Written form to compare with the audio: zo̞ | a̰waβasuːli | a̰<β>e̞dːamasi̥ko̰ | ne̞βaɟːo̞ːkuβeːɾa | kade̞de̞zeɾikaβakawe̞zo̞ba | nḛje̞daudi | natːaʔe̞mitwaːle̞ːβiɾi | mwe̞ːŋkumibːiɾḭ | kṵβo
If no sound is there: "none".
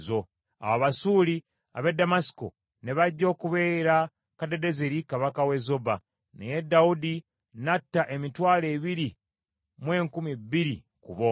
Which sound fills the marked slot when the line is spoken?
β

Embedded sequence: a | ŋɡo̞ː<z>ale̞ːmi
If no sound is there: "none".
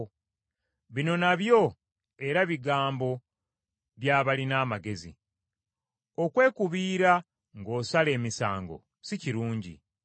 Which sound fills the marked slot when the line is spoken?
s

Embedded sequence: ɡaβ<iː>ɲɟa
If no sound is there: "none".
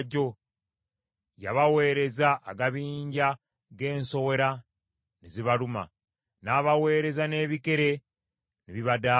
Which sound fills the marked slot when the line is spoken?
iː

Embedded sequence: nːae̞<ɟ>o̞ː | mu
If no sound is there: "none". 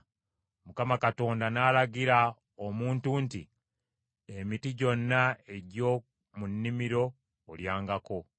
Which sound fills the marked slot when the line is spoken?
ɟ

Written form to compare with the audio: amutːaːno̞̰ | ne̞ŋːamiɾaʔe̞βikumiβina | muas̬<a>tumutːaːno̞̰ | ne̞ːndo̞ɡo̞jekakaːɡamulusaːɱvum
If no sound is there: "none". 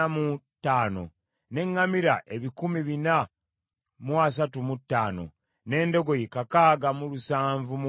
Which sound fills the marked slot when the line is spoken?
a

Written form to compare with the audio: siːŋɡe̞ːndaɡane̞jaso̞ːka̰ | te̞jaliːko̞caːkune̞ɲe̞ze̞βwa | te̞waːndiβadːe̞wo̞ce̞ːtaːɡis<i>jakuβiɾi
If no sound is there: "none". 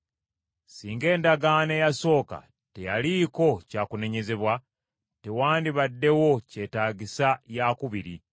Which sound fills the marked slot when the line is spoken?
a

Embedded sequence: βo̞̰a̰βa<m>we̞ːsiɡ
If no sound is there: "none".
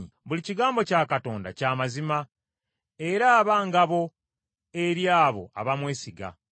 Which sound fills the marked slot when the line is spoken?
m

